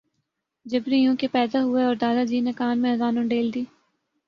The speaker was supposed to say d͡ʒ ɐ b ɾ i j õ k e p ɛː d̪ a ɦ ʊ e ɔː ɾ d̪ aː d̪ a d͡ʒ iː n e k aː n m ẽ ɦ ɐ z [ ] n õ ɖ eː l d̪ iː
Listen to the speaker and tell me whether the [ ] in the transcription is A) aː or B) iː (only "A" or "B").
A